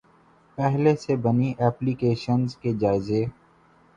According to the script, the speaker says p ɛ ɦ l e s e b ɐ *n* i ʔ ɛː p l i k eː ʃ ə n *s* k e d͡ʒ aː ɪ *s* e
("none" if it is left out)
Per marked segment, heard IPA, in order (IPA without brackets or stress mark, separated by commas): n, z, z